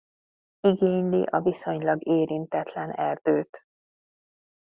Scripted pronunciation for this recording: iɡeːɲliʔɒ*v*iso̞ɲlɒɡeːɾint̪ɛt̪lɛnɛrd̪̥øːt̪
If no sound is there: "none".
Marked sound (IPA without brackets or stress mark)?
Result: v